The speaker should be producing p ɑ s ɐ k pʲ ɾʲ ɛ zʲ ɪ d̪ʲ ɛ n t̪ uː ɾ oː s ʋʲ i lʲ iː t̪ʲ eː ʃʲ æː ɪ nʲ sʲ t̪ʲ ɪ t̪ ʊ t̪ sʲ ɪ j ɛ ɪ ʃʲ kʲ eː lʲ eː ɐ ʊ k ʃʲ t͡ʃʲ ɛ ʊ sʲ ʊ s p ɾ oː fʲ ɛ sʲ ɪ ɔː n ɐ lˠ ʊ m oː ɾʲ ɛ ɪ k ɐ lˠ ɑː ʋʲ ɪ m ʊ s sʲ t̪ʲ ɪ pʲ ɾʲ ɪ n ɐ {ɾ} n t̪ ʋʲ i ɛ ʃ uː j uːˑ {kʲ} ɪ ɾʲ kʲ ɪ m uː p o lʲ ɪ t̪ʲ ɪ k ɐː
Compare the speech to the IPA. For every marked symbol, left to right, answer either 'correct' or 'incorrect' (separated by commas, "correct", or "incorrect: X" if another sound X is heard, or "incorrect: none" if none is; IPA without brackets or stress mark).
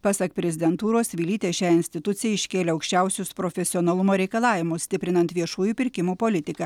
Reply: incorrect: none, incorrect: pʲ